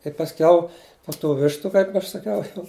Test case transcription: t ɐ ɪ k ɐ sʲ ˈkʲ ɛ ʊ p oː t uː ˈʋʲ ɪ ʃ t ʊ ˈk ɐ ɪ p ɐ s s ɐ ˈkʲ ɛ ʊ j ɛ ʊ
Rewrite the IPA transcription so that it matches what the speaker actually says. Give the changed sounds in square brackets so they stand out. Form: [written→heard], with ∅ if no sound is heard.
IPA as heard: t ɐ ɪ [k→p] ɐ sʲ ˈkʲ ɛ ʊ p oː t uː ˈʋʲ ɪ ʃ t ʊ ˈk ɐ ɪ p ɐ [s→ʃ] s ɐ ˈkʲ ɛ ʊ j ɛ ʊ